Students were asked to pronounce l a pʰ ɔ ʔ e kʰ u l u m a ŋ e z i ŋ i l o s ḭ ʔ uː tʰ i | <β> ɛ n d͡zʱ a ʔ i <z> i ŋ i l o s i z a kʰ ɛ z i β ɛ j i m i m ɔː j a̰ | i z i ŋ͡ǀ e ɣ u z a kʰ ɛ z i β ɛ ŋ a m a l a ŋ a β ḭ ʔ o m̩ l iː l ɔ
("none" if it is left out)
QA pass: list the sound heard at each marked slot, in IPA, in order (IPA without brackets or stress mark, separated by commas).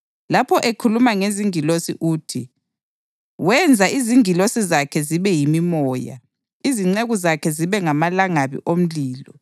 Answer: w, z